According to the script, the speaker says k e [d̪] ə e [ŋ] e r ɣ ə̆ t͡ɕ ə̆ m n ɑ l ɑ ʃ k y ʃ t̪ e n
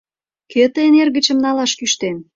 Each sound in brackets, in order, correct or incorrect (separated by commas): incorrect, incorrect